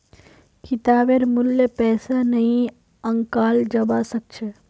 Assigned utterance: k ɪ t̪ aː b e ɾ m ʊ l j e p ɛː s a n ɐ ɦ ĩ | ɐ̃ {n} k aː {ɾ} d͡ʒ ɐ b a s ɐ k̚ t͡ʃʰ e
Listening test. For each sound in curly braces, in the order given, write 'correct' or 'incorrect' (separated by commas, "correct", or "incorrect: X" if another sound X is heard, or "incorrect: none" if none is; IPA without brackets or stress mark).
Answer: incorrect: ŋ, incorrect: l